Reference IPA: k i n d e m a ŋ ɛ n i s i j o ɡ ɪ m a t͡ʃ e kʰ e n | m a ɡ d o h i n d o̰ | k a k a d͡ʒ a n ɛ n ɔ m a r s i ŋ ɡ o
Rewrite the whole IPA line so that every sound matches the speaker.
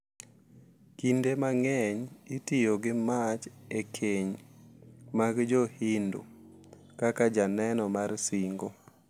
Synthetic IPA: k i n d e m a ŋ ɛ ɲ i t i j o ɡ ɪ m a t͡ʃ e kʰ e ɲ | m a ɡ d͡ʒ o h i n d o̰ | k a k a d͡ʒ a n ɛ n ɔ m a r s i ŋ ɡ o